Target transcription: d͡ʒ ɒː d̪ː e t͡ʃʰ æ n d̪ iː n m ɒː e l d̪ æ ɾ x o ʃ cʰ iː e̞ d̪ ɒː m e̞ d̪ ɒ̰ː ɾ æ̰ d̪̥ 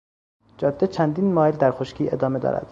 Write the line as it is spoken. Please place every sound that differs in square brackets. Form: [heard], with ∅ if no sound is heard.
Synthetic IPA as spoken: d͡ʒ ɒː d̪ː e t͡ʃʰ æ n d̪ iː n m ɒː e l d̪ æ ɾ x o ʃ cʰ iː e̞ d̪ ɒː m e̞ d̪ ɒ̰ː ɾ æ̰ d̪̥